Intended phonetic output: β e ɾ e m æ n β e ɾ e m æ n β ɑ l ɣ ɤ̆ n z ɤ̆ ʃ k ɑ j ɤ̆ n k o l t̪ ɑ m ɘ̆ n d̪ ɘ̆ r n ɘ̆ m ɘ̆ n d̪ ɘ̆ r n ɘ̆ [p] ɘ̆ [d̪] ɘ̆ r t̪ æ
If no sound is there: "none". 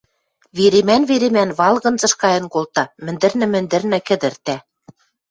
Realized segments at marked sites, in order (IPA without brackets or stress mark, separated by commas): k, d̪